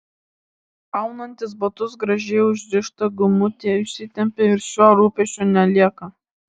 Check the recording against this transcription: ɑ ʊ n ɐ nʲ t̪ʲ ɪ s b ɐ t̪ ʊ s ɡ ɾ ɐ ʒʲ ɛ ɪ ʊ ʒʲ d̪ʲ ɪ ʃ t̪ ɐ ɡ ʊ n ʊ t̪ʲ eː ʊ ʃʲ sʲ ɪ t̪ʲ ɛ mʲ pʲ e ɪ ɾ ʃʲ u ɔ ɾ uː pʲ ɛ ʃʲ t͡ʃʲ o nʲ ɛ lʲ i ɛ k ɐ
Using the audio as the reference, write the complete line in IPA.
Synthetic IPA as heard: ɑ ʊ n ɐ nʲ t̪ʲ ɪ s b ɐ t̪ ʊ s ɡ ɾ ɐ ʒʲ ɛ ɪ ʊ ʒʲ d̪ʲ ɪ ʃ t̪ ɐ ɡ ʊ m ʊ t̪ʲ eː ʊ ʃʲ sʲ ɪ t̪ʲ ɛ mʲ pʲ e ɪ ɾ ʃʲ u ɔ ɾ uː pʲ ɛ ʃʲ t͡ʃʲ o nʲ ɛ lʲ i ɛ k ɐ